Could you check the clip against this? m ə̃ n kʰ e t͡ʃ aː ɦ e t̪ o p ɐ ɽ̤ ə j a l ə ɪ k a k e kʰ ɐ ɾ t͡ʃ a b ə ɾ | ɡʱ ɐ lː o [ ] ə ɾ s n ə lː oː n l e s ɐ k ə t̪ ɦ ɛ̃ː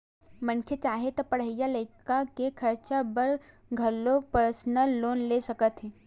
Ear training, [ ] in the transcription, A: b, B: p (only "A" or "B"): B